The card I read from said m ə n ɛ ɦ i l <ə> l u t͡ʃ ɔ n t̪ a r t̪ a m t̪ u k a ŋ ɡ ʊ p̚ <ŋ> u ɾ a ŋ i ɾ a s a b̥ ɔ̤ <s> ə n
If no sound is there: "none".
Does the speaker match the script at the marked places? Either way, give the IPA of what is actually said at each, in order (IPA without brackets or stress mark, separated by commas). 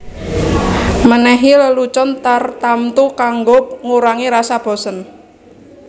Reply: ə, ŋ, s